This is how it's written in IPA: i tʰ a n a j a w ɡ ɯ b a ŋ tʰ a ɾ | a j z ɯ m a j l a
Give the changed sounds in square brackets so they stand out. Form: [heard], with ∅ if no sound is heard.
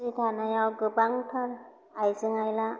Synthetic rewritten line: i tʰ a n a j a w ɡ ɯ b a ŋ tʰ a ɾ | a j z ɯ [ŋ] a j l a

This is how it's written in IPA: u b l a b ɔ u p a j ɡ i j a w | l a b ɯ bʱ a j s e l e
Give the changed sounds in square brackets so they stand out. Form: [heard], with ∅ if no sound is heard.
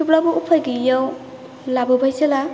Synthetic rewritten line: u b l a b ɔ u [pʰ] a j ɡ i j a w | l a b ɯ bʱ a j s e l [a]

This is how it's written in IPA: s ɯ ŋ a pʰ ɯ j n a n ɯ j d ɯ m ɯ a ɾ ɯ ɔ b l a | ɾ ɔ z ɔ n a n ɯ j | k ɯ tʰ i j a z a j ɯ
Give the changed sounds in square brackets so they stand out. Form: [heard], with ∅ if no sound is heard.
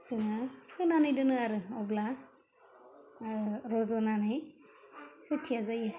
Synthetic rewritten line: s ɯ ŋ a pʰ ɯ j n a n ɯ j d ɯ [n] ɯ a ɾ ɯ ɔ b l a | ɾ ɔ z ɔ n a n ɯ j | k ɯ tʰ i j a z a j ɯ

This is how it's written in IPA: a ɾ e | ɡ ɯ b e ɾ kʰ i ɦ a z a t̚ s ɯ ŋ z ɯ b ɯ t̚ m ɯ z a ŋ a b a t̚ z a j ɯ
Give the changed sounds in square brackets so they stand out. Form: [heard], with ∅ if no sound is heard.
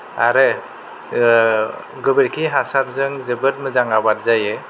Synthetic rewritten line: a ɾ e | ɡ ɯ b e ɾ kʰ i ɦ a [s] a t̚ [z] ɯ ŋ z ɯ b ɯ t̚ m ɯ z a ŋ a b a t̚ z a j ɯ

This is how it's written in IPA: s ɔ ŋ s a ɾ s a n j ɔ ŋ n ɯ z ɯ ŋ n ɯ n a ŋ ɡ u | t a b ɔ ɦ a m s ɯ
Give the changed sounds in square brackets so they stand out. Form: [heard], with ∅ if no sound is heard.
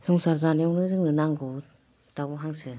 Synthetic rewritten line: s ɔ ŋ s a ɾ [z] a n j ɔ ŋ n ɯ z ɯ ŋ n ɯ n a ŋ ɡ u | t a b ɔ ɦ a [ŋ] s ɯ

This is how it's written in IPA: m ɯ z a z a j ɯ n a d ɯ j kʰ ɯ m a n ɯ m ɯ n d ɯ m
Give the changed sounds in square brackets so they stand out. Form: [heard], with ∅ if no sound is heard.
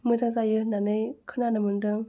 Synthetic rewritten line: m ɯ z a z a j ɯ n a [n] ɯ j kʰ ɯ [n] a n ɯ m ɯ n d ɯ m

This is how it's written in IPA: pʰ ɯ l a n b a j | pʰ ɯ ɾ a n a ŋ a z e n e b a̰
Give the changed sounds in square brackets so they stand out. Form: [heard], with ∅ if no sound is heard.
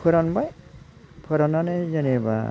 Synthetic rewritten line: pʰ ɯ [ɾ] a n b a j | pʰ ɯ ɾ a n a [n] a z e n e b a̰

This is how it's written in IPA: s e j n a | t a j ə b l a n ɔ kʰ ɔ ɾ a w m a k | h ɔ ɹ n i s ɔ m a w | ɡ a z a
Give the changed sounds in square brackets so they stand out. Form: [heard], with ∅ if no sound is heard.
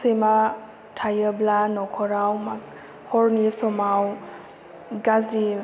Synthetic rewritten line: s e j [m] a | [tʰ] a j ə b l a n ɔ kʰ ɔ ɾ a w m a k | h ɔ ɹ n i s ɔ m a w | ɡ a z [i]

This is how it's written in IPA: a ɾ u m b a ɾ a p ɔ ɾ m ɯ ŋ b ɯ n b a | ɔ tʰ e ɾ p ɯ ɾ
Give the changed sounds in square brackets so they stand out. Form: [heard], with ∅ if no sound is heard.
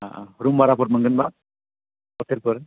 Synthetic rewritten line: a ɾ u m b a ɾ a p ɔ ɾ m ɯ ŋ [ɡ] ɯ n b a | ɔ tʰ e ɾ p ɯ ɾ

